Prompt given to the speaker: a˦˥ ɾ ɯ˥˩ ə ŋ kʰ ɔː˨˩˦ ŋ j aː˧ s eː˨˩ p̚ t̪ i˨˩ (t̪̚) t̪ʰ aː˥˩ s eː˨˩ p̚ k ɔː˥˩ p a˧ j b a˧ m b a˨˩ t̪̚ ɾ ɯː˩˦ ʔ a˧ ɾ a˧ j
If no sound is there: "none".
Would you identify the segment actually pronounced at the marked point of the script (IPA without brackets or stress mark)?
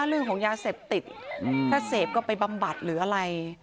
t̪̚